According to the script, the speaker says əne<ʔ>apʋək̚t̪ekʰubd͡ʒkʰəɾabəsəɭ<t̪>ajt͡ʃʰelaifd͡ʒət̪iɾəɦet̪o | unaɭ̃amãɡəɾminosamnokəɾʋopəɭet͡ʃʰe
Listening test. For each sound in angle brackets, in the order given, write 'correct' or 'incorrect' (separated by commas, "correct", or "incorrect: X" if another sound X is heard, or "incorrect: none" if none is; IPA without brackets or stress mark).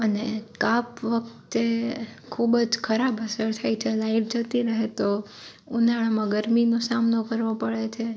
incorrect: k, incorrect: t̪ʰ